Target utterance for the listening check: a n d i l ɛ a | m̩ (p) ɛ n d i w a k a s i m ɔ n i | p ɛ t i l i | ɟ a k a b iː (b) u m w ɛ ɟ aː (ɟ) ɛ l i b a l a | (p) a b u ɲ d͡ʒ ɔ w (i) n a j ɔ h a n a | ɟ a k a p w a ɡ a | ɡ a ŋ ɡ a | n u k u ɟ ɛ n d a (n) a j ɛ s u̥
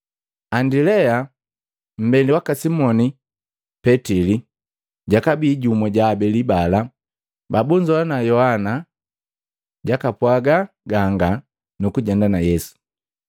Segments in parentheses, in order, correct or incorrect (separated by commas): incorrect, incorrect, incorrect, incorrect, incorrect, correct